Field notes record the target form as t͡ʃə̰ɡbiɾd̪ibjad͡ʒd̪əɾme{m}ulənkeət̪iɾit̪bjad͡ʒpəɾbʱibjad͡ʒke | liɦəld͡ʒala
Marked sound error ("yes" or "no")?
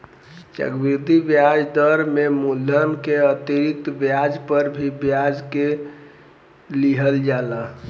no